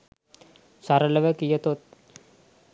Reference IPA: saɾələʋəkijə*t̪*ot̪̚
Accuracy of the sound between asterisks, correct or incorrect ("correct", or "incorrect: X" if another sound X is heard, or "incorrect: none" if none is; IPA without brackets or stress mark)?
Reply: correct